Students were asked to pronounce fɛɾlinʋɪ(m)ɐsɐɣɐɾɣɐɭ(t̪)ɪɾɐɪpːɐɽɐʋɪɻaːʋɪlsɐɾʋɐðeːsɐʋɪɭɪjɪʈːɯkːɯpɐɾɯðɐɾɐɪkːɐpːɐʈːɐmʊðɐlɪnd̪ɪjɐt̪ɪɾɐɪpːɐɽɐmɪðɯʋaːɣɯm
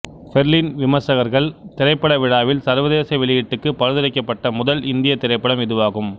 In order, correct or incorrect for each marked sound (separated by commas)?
correct, correct